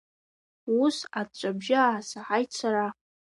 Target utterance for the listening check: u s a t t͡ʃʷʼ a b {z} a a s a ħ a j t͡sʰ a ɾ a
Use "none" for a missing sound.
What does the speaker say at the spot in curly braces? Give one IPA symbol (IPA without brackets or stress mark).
ʒ